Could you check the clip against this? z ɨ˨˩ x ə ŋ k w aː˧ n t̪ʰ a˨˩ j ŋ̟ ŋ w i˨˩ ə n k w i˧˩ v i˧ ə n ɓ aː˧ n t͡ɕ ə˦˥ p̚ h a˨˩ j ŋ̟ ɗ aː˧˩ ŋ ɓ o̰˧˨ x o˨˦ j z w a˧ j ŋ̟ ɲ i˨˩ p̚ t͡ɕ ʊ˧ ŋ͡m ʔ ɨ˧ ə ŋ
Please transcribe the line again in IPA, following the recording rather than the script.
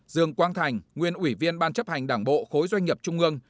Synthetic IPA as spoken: z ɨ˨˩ ə ŋ k w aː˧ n t̪ʰ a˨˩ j ŋ̟ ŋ w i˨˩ ə n ʔ w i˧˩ v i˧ ə n ɓ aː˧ n t͡ɕ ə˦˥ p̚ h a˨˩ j ŋ̟ ɗ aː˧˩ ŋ ɓ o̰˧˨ x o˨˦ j z w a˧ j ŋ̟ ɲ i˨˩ p̚ t͡ɕ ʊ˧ ŋ͡m ʔ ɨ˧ ə ŋ

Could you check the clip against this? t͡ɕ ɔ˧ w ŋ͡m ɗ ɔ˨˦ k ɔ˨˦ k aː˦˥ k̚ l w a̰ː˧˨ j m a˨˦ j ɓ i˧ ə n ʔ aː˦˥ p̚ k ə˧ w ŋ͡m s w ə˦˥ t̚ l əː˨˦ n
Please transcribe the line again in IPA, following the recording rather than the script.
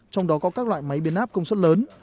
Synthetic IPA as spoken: t͡ɕ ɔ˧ w ŋ͡m ɗ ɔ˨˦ k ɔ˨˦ k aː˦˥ k̚ l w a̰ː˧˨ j m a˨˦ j ɓ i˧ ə n ʔ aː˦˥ p̚ k ə˧ w ŋ͡m s w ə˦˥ t̚ l əː˨˦ n

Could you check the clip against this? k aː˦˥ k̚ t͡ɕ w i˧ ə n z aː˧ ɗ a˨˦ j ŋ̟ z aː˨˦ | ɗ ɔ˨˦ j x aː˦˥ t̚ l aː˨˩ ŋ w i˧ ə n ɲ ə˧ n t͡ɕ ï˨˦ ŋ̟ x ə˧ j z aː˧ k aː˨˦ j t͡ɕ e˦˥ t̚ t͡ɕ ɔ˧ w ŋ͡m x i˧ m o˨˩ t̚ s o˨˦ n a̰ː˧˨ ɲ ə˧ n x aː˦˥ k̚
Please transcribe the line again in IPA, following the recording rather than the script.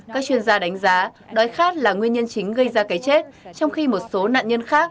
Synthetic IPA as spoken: k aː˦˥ k̚ t͡ɕ w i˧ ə n z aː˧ ɗ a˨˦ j ŋ̟ z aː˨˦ | ɗ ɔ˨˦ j x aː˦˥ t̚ l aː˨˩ ŋ w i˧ ə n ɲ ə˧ n t͡ɕ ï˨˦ ŋ̟ ɣ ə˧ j z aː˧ k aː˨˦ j t͡ɕ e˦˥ t̚ t͡ɕ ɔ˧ w ŋ͡m x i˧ m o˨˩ t̚ s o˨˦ n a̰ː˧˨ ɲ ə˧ n x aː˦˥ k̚

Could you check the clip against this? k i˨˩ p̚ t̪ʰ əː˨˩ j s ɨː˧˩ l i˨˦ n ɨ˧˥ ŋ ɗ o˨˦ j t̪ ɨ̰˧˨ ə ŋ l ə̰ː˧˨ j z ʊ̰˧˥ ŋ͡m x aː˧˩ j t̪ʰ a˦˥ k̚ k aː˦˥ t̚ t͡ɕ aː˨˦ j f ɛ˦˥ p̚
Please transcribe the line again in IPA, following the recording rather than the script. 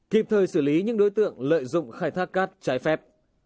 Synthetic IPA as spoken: k i˨˩ p̚ t̪ʰ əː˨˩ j s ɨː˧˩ l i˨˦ ɲ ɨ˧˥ ŋ ɗ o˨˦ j t̪ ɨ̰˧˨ ə ŋ l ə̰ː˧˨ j z ʊ̰˧˨ ŋ͡m x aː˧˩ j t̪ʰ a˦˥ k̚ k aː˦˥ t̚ t͡ɕ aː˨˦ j f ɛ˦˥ p̚

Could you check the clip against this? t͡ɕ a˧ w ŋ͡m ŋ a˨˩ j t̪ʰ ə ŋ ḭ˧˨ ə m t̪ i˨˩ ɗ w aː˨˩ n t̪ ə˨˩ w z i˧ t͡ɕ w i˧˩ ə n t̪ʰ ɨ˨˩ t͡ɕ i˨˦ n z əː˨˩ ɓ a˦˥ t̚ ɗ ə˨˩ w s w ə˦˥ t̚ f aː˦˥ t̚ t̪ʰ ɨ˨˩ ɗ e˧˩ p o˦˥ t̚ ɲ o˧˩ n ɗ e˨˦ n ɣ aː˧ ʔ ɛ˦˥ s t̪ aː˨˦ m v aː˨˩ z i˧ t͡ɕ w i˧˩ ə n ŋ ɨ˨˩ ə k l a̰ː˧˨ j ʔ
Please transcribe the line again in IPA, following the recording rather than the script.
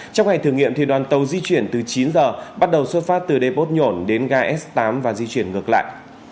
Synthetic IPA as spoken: t͡ɕ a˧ w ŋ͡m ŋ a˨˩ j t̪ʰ ə ŋ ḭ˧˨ ə m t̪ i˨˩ ɗ w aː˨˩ n t̪ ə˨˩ w z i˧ t͡ɕ w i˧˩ ə n t̪ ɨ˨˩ t͡ɕ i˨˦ n z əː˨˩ ɓ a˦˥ t̚ ɗ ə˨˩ w s w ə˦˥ t̚ f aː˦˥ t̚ t̪ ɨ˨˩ ɗ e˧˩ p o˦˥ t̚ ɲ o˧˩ n ɗ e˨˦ n ɣ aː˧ ʔ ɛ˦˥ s t̪ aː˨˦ m v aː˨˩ z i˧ t͡ɕ w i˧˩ ə n ŋ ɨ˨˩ ə k l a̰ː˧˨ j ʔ

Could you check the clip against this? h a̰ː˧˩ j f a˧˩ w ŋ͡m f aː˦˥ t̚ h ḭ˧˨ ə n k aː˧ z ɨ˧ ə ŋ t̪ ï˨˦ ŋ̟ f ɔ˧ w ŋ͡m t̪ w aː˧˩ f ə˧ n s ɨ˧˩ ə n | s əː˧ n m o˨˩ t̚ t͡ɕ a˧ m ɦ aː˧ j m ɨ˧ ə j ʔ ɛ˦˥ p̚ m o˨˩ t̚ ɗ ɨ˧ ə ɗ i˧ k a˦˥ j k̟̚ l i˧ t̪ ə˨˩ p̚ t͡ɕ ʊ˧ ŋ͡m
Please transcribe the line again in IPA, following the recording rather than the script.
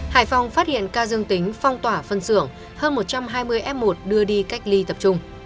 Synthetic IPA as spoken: h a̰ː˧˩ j f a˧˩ w ŋ͡m f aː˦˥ t̚ h ḭ˧˨ ə n k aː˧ z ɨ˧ ə ŋ t̪ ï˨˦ ŋ̟ f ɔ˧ w ŋ͡m t̪ w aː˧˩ f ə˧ n s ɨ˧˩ ə ŋ | h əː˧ n m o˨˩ t̚ t͡ɕ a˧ m ɦ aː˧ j m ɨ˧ ə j ʔ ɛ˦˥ p̚ m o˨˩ t̚ ɗ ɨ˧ ə ɗ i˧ k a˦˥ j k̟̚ l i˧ t̪ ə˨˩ p̚ t͡ɕ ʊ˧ ŋ͡m

